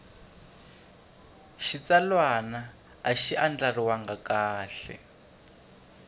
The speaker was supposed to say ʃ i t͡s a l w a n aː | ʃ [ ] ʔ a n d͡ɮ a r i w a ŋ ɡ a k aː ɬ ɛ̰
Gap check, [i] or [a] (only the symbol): i